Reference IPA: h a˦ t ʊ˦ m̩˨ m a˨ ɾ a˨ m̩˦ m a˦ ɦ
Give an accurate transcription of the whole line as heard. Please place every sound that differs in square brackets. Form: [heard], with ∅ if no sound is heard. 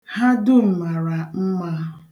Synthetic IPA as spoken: h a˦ [d] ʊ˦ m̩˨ m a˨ ɾ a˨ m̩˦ m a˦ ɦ